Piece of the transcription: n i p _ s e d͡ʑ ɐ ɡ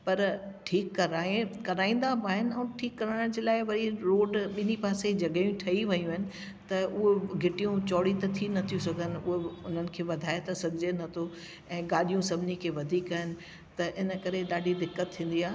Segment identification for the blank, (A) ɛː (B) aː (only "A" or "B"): B